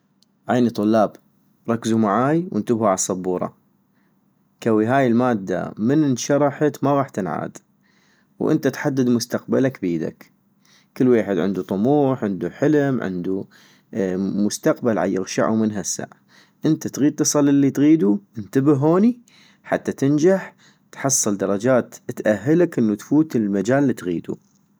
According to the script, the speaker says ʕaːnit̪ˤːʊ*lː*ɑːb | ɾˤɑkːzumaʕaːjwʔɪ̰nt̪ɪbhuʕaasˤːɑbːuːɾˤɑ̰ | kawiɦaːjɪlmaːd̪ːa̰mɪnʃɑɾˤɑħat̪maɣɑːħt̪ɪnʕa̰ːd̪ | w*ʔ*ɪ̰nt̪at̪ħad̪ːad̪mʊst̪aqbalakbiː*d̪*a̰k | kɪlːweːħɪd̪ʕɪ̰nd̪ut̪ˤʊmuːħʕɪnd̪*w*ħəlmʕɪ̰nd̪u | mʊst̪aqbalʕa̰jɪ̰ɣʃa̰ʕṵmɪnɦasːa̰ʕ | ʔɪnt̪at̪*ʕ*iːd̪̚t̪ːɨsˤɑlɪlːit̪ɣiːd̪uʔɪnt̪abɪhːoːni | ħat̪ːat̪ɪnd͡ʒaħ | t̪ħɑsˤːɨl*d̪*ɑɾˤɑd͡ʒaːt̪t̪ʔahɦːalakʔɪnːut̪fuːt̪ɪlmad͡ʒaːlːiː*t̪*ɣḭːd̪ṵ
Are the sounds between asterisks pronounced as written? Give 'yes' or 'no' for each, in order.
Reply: yes, yes, yes, no, no, yes, yes

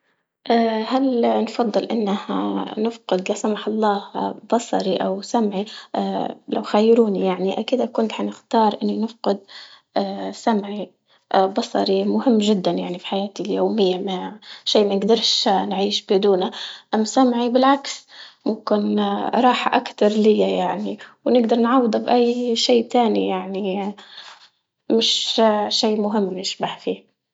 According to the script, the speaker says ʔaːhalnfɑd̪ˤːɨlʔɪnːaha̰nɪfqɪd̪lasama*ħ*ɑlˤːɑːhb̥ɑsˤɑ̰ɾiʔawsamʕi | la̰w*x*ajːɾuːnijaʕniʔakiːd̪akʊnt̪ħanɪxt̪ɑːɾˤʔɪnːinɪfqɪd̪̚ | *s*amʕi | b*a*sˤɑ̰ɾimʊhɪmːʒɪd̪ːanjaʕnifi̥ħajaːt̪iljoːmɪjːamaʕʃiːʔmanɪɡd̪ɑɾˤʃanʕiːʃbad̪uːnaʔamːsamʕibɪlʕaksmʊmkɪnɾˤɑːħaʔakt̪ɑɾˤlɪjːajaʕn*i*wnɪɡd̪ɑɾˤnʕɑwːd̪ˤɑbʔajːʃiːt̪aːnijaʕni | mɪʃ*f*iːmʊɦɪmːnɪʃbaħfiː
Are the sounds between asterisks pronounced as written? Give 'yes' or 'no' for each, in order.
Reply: yes, yes, yes, no, yes, no

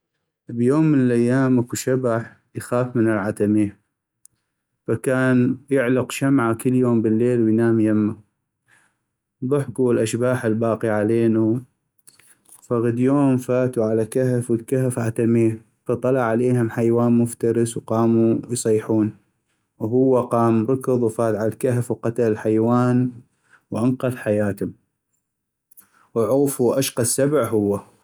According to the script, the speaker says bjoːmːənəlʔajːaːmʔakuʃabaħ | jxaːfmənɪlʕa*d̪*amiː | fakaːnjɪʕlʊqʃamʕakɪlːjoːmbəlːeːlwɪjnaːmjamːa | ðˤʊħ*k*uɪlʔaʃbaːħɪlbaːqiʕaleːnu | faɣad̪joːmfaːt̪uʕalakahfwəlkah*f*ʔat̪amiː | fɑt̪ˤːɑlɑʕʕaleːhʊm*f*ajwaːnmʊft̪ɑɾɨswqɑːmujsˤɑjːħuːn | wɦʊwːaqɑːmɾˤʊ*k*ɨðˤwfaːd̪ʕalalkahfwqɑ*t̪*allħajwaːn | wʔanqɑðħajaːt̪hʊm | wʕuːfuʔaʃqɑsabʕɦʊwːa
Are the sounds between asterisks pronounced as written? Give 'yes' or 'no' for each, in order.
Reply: no, yes, yes, no, yes, yes

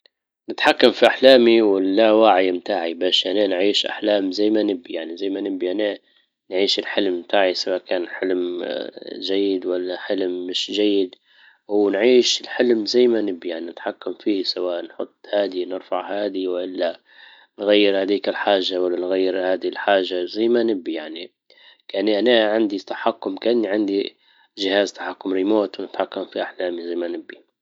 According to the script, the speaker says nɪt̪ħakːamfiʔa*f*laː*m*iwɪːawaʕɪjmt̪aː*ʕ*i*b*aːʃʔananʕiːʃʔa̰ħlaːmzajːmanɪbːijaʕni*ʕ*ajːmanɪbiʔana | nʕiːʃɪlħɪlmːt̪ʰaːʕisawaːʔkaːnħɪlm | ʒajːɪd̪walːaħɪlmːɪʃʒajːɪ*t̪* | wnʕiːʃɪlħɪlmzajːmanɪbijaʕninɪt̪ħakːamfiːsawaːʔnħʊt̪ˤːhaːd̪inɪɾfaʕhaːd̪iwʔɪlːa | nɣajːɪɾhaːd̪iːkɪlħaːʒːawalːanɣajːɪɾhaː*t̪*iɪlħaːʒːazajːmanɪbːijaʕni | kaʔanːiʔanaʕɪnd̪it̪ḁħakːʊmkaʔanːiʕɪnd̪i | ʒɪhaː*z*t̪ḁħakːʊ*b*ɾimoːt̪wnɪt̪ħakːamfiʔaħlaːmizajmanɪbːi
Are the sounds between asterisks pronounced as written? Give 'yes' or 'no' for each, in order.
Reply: no, yes, yes, yes, no, no, no, yes, no

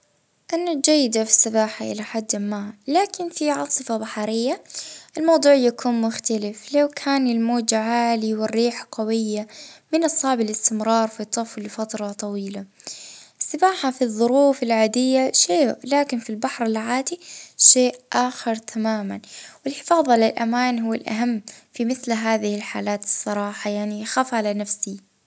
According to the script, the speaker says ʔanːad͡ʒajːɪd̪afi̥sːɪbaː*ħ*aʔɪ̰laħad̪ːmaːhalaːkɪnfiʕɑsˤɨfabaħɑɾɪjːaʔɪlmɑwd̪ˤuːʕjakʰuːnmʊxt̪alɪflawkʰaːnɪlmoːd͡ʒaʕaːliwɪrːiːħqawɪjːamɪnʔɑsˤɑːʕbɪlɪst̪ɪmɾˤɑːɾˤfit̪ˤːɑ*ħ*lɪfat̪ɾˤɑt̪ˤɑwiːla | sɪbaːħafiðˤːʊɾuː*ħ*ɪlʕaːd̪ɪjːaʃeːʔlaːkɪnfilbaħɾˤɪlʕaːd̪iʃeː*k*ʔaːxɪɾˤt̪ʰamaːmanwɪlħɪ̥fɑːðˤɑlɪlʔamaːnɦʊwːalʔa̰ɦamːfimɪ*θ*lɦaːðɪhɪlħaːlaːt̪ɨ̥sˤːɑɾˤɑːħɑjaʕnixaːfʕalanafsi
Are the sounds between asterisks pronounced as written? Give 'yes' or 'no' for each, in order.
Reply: yes, no, no, no, yes

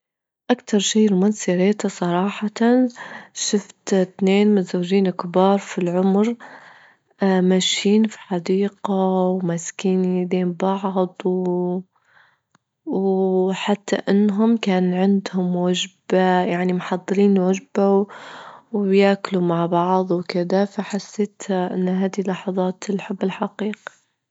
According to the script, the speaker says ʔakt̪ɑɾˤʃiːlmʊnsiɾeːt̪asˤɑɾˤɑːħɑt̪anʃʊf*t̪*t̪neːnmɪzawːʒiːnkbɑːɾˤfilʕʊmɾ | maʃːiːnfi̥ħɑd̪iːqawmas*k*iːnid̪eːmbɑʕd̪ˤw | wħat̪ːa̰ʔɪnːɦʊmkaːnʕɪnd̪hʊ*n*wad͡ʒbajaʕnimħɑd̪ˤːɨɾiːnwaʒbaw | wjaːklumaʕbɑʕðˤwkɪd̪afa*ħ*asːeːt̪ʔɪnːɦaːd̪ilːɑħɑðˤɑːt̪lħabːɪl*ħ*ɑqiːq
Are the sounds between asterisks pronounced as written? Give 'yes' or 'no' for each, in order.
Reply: yes, yes, no, yes, yes

